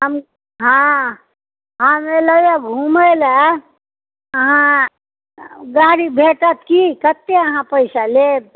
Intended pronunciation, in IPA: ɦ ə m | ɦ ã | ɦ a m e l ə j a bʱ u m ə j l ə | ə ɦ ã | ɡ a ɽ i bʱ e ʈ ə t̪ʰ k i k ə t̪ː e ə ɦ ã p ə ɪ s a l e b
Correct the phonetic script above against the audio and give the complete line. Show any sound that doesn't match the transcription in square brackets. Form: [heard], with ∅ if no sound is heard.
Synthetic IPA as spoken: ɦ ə m | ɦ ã | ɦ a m e l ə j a [ɡʱ] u m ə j l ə | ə ɦ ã | ɡ a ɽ i bʱ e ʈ ə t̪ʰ k i k ə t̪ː e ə ɦ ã p ə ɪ s a l e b

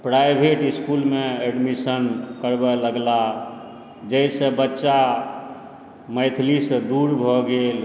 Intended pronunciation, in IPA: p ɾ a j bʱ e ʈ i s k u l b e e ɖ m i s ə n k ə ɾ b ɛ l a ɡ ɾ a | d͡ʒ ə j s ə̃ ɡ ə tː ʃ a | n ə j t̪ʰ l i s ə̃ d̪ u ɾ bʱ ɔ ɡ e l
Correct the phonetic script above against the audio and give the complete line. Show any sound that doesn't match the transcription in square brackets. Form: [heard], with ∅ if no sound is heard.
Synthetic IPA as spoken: p ɾ a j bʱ e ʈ i s k u l [m] e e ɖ m i s ə n k ə ɾ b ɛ l [ə] ɡ [l] a | d͡ʒ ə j s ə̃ [b] ə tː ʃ a | [m] ə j t̪ʰ l i s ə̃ d̪ u ɾ bʱ ɔ ɡ e l

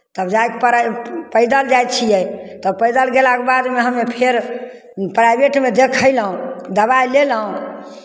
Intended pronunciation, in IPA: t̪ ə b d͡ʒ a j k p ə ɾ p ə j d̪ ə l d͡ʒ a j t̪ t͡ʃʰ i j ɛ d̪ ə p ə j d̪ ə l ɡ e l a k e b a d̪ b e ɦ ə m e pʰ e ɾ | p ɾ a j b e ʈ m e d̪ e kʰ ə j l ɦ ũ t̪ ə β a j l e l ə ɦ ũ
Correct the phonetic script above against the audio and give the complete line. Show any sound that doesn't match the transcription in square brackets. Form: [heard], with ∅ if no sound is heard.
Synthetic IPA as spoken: t̪ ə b d͡ʒ a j k p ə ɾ p ə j d̪ ə l d͡ʒ a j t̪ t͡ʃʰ i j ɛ [t̪] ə p ə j d̪ ə l ɡ e l a k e b a d̪ [m] e ɦ ə m e pʰ e ɾ | p ɾ a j b e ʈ m e d̪ e kʰ ə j l ɦ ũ [d̪] ə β a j l e l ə ɦ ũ

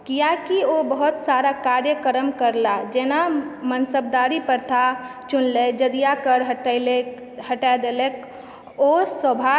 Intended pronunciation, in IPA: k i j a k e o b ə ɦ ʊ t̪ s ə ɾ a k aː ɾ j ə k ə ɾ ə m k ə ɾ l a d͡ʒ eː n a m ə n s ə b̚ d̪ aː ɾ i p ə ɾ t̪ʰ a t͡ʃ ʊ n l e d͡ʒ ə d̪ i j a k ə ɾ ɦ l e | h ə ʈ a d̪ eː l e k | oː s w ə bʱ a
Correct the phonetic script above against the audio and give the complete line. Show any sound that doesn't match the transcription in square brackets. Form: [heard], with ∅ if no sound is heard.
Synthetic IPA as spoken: k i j a k [i] o b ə ɦ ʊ t̪ s [a] ɾ a k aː ɾ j ə k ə ɾ ə m k ə ɾ l a d͡ʒ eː n a m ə n s ə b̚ d̪ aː ɾ i p ə ɾ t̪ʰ a t͡ʃ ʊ n l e d͡ʒ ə d̪ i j a k ə ɾ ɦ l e | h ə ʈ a d̪ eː l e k | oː s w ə bʱ a

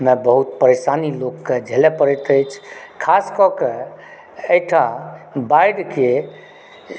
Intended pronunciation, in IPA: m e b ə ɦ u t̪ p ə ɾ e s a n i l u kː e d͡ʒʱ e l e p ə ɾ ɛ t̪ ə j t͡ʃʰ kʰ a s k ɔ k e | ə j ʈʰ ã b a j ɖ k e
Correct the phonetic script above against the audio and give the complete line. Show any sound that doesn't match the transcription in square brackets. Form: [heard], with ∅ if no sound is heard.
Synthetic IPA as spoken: m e b ə ɦ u t̪ p ə ɾ e s a n i l [o] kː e d͡ʒʱ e l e p ə ɾ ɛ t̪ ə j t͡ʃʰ kʰ a s k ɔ k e | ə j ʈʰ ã b a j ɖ k e

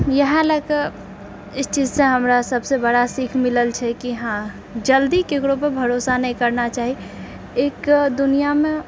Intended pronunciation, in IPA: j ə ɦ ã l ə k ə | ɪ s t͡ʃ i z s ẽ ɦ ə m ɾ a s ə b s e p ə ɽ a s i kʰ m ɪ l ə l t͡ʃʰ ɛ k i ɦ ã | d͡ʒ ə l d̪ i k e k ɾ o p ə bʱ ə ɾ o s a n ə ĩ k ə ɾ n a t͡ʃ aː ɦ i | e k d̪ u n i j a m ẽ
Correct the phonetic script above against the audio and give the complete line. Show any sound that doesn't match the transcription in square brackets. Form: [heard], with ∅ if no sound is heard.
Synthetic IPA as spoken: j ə ɦ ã l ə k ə | ɪ s t͡ʃ i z s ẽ ɦ ə m ɾ a s ə b s e [b] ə ɽ a s i kʰ m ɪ l ə l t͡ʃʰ ɛ k i ɦ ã | d͡ʒ ə l d̪ i k e k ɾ o p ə bʱ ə ɾ o s a n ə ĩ k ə ɾ n a t͡ʃ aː ɦ i | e k d̪ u n i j a m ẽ

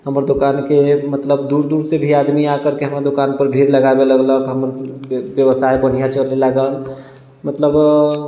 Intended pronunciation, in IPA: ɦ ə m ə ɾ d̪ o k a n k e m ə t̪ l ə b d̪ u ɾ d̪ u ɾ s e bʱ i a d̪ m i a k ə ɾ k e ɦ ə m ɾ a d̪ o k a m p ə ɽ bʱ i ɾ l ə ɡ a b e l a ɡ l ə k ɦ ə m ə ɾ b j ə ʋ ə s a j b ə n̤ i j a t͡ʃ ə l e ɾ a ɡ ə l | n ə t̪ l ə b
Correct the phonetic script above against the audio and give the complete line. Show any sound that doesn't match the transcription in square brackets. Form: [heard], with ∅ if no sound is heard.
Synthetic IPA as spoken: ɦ ə m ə ɾ d̪ o k a n k e m ə t̪ l ə b d̪ u ɾ d̪ u ɾ s e bʱ i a d̪ m i a k ə ɾ k e ɦ ə m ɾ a d̪ o k a [n] p ə [ɾ] bʱ i ɾ l ə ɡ a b e l [ə] ɡ l ə k ɦ ə m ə ɾ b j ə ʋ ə s a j b ə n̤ i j a t͡ʃ ə l e [l] a ɡ ə l | [m] ə t̪ l ə b

